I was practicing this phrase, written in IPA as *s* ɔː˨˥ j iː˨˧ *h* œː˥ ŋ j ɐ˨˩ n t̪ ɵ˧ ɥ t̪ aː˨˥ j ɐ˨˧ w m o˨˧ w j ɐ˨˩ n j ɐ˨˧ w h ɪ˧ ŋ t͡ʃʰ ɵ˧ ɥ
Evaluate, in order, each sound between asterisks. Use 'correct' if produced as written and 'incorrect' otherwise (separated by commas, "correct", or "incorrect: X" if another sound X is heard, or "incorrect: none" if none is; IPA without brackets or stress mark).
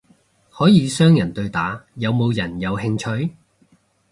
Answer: incorrect: h, incorrect: s